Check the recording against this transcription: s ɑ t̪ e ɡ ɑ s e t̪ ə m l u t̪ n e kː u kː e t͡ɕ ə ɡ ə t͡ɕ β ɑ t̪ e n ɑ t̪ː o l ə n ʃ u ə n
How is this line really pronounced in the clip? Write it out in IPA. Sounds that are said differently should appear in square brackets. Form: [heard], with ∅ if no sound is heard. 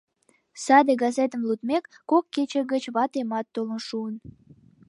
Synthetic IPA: s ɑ [d̪] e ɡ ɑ [z] e t̪ ə m l u t̪ [m] e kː [o] kː e t͡ɕ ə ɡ ə t͡ɕ β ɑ t̪ e [m] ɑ t̪ː o l ə n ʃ u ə n

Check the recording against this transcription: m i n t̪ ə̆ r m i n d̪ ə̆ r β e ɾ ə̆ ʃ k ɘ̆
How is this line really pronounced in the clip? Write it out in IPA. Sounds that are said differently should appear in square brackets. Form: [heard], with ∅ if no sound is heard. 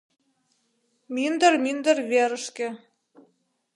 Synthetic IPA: m i n [d̪] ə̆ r m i n d̪ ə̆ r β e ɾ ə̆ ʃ k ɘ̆

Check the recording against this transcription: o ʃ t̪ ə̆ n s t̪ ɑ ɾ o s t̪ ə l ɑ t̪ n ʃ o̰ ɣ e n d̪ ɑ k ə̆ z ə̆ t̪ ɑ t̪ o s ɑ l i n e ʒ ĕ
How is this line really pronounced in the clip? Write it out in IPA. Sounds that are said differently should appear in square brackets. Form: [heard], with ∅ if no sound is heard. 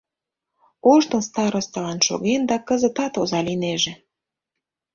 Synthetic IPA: o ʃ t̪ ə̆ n s t̪ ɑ ɾ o s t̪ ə l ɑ [∅] n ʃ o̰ ɣ e n d̪ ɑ k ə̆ z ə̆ t̪ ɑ t̪ o [z] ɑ l i n e ʒ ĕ

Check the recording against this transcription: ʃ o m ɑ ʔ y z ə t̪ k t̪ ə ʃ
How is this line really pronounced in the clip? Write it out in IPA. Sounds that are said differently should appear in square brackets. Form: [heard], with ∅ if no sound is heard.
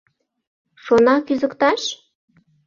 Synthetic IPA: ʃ o [n] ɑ [k] y z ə [∅] k t̪ [ɑ] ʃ

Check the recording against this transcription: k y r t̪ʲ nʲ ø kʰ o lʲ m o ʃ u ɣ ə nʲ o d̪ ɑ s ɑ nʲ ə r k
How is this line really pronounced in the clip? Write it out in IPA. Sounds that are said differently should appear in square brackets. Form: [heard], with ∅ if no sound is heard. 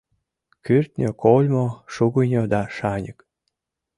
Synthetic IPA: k y r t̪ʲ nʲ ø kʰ o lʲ m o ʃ u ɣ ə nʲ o d̪ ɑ [ʃ] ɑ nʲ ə [∅] k

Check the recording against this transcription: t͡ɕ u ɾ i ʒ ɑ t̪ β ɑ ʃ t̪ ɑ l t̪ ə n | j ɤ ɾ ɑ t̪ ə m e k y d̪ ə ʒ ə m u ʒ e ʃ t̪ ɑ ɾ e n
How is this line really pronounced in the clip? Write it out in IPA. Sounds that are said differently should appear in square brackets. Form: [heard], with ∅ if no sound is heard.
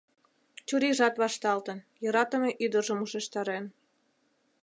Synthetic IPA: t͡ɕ u ɾ i ʒ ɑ t̪ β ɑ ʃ t̪ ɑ l t̪ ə n | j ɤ ɾ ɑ t̪ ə m e [ʔ] y d̪ ə ʒ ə m u [ʃ] e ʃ t̪ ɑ ɾ e n

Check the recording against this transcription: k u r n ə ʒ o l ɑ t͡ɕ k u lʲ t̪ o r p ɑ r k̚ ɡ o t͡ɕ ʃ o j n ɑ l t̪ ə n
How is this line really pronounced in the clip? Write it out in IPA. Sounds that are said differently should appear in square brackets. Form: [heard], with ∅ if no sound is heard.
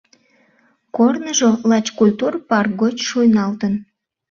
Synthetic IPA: k [o] r n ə ʒ o l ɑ t͡ɕ k u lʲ t̪ [u] r p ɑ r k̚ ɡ o t͡ɕ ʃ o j n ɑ l t̪ ə n

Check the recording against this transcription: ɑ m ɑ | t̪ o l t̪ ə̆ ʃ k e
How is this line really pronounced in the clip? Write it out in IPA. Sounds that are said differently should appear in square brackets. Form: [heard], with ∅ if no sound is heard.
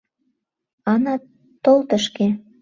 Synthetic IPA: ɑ [n] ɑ | t̪ o l t̪ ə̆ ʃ k e

